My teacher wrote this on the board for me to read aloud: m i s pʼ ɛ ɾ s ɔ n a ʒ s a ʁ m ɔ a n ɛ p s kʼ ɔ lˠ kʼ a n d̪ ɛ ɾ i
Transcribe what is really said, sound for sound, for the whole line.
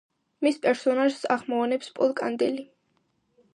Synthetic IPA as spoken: m i s pʼ ɛ ɾ s ɔ n a ʒ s a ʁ m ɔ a n ɛ p s pʼ ɔ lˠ kʼ a n d̪ ɛ l i